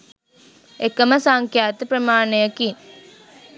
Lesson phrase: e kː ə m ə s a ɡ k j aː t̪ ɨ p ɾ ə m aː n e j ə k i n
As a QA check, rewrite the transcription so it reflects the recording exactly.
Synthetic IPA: e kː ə m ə s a ŋ k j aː t̪ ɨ p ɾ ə m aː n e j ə k i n